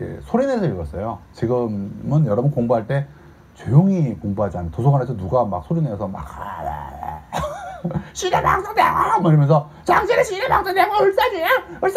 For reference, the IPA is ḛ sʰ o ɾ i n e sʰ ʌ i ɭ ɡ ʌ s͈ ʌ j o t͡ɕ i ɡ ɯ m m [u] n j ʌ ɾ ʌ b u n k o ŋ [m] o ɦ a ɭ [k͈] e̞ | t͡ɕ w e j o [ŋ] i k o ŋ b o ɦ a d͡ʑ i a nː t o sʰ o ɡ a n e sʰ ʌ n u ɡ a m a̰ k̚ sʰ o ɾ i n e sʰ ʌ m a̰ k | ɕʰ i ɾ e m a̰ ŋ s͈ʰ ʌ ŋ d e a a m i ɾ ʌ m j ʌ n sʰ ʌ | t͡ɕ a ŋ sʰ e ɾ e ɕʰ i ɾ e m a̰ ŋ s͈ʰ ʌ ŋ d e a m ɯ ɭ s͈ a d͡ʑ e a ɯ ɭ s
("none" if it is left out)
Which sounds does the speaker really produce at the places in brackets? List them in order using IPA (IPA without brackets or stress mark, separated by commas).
ɯ, b, t͈, ŋ